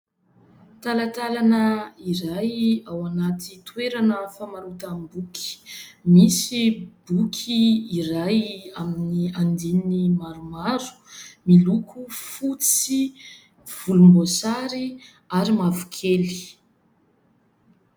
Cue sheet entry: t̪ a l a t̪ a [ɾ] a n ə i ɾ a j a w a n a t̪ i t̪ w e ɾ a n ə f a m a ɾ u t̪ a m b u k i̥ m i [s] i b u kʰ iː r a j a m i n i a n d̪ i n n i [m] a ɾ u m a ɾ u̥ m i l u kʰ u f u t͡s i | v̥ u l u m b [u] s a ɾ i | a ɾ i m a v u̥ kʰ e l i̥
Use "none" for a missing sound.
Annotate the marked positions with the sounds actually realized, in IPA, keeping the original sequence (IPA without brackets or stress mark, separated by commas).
l, s, m, o